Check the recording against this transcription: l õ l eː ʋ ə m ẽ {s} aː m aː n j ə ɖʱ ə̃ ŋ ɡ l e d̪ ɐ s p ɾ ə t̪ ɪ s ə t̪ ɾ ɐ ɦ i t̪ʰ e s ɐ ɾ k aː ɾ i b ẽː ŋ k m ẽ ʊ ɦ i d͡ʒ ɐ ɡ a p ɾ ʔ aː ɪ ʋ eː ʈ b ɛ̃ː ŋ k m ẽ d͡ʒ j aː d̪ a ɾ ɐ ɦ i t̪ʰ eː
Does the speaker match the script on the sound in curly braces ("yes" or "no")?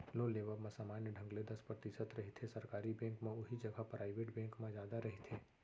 yes